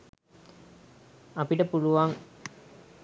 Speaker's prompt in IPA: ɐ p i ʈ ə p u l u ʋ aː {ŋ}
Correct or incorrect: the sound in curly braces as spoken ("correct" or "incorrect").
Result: correct